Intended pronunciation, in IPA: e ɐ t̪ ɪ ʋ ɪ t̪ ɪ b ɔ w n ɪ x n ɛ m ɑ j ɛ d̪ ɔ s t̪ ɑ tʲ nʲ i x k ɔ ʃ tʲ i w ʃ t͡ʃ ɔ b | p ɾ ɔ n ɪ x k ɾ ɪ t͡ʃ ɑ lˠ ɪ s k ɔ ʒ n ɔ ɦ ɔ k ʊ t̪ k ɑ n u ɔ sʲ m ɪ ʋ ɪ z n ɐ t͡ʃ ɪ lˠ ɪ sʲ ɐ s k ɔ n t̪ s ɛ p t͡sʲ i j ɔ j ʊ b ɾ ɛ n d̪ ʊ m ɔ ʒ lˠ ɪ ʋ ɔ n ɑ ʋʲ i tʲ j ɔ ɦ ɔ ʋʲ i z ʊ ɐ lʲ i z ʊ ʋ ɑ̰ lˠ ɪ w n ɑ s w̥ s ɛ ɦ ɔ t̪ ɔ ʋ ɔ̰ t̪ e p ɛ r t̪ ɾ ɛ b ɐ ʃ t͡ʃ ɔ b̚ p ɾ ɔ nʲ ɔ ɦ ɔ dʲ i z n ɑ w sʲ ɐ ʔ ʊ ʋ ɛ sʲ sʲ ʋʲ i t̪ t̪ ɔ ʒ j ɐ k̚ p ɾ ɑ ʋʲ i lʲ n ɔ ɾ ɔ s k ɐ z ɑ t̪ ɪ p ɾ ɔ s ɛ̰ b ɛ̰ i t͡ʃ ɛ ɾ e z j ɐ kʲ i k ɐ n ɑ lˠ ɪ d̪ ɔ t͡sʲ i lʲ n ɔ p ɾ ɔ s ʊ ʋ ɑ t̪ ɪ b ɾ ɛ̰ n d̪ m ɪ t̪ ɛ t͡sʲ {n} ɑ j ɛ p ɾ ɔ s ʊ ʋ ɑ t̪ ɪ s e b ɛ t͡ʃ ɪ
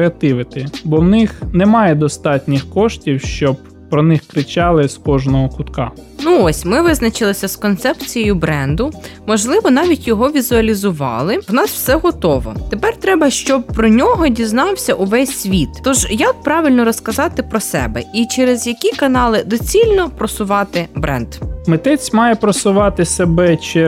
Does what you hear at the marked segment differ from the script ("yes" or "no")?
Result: yes